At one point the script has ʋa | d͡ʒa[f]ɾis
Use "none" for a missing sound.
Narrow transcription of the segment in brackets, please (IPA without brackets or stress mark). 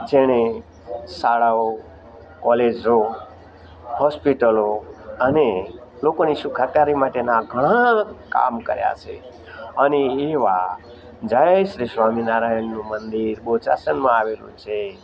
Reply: ʃ